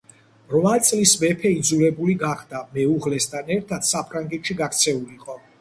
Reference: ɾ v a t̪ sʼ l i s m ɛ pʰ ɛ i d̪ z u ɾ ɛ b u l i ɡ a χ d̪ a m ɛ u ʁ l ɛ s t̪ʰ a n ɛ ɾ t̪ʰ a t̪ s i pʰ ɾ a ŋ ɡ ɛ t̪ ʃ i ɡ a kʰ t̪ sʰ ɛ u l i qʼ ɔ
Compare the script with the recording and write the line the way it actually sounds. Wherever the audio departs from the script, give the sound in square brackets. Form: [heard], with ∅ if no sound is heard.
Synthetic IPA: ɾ v a t̪ sʼ l i s m ɛ pʰ ɛ i d̪ z u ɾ ɛ b u l i ɡ a χ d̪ a m ɛ u ʁ l ɛ s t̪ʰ a n ɛ ɾ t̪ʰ a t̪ s [a] pʰ ɾ a ŋ ɡ ɛ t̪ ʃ i ɡ a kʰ t̪ sʰ ɛ u l i qʼ ɔ